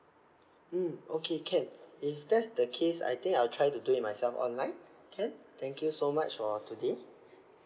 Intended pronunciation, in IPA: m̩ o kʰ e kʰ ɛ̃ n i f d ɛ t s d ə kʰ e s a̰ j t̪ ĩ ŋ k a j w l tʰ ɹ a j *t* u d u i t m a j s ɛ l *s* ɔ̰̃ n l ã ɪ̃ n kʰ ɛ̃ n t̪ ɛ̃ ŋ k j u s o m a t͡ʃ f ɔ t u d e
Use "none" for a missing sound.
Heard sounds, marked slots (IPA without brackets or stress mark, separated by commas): t, f